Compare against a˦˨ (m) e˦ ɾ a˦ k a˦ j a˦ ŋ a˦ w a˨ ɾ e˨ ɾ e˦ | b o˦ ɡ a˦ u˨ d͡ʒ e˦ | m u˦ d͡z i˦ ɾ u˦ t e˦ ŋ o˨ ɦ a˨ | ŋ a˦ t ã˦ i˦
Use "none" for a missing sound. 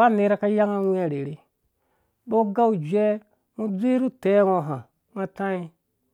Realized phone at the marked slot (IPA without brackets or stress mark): n